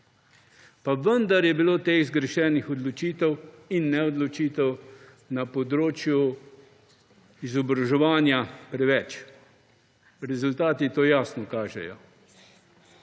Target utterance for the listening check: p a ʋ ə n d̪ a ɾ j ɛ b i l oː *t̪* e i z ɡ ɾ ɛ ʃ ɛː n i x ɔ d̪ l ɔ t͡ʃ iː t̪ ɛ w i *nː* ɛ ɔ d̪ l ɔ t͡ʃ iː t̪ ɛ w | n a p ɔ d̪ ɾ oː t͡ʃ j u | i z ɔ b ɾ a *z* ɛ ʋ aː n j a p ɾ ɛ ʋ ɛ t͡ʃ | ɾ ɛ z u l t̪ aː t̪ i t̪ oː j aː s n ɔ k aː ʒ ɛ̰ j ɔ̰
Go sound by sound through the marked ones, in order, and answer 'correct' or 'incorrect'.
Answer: correct, correct, incorrect: ʒ

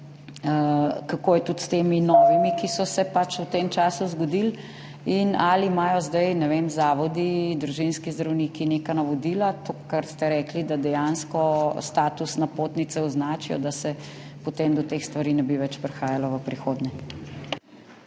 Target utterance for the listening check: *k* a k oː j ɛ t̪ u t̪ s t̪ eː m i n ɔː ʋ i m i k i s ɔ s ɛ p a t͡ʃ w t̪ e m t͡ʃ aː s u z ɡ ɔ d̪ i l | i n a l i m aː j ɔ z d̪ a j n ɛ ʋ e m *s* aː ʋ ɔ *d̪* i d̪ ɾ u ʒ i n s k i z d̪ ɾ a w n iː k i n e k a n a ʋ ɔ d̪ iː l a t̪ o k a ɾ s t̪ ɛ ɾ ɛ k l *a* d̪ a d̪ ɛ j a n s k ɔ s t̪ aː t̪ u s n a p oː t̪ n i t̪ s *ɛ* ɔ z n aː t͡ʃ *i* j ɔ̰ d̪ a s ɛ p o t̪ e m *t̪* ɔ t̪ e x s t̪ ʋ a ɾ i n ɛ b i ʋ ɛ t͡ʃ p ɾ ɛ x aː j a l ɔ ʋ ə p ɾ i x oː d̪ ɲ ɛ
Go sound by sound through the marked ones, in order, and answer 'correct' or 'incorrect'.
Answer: correct, incorrect: z, correct, incorrect: i, correct, correct, incorrect: d̪

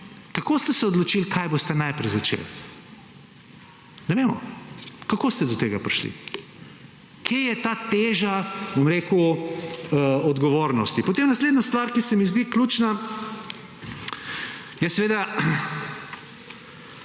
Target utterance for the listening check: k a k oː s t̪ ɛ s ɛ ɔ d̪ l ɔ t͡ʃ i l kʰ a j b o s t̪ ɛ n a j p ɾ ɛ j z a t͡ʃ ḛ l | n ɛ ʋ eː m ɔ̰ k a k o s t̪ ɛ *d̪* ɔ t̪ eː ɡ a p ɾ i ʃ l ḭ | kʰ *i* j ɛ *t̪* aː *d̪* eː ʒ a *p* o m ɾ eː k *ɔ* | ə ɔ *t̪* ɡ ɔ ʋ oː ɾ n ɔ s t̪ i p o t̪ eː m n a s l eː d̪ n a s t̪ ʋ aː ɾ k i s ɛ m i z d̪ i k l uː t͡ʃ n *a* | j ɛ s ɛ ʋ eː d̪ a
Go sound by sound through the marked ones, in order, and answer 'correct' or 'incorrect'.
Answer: correct, incorrect: e, correct, incorrect: t̪, incorrect: b, incorrect: u, incorrect: d̪, correct

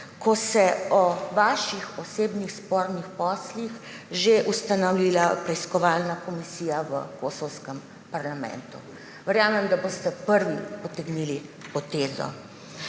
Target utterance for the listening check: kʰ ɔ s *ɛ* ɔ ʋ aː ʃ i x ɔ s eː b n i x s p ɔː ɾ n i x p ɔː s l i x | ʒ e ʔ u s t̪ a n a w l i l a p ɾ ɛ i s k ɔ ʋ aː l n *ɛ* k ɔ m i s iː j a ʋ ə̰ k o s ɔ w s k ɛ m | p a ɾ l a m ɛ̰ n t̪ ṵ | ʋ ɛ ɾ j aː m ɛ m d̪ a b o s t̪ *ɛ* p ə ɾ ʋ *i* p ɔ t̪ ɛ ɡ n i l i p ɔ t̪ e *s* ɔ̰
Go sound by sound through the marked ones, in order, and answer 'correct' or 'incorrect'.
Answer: correct, incorrect: a, correct, correct, incorrect: z

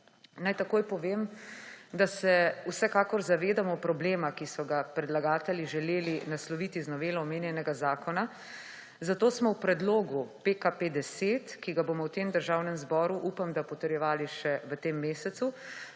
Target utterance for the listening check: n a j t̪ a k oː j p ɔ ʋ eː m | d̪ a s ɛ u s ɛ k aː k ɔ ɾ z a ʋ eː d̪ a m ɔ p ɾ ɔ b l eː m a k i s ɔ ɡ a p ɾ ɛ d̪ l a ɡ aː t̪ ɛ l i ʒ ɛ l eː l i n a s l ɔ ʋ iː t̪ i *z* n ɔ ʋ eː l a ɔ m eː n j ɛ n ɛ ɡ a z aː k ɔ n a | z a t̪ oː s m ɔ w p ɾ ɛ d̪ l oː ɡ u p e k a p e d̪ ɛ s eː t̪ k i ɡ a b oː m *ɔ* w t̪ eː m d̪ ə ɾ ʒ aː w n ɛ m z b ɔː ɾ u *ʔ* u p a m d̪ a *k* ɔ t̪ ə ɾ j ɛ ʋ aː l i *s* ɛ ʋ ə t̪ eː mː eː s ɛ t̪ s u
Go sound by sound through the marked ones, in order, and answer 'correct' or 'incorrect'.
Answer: correct, correct, correct, incorrect: p, incorrect: ʃ

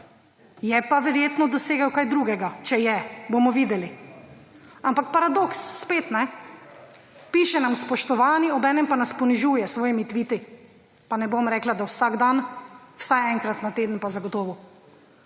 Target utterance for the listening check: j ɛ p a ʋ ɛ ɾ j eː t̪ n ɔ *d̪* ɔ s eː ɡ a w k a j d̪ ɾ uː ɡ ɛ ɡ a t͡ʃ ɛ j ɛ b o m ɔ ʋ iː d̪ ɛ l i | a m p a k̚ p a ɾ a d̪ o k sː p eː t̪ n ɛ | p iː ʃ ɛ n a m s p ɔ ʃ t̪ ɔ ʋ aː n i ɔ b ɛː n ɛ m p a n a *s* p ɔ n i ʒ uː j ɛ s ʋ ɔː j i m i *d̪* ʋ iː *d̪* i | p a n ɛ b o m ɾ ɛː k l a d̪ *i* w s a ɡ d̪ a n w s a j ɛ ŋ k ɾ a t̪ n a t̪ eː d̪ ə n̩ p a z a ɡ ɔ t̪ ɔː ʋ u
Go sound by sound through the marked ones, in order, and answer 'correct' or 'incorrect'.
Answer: correct, correct, incorrect: t̪, incorrect: t̪, incorrect: a

